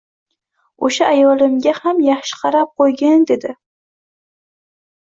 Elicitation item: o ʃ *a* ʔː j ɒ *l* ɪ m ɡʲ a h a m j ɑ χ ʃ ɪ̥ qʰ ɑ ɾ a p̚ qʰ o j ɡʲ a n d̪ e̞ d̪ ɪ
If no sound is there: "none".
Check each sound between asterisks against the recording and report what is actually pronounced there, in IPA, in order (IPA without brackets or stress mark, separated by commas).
a, l